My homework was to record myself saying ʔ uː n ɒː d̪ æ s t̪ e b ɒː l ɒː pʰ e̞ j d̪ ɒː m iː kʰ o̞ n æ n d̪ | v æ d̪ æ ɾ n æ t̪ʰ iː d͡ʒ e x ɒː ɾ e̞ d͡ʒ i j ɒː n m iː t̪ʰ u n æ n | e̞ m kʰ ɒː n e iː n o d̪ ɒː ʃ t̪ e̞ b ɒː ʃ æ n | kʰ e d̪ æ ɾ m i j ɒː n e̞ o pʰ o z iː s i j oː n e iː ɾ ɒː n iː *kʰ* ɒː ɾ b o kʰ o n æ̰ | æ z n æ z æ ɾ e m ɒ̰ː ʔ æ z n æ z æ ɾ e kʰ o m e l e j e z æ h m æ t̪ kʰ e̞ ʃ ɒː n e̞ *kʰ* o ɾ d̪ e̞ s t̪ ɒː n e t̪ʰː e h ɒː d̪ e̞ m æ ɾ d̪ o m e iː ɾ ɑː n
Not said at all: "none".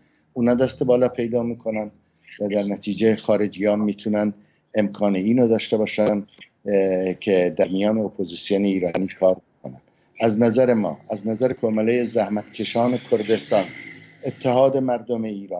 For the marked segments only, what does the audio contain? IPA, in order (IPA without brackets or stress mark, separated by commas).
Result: kʰ, kʰ